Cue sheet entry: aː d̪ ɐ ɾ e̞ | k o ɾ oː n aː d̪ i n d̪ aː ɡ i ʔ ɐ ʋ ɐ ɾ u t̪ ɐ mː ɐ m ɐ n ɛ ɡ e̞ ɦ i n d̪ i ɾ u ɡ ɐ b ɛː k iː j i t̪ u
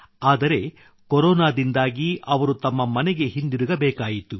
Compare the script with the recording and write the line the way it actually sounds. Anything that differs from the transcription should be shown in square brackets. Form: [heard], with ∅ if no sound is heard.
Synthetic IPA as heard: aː d̪ ɐ ɾ e̞ | k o ɾ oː n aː d̪ i n d̪ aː ɡ i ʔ ɐ ʋ ɐ ɾ u t̪ ɐ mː ɐ m ɐ n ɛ ɡ e̞ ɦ i n d̪ i ɾ u ɡ ɐ b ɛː k [aː] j i t̪ u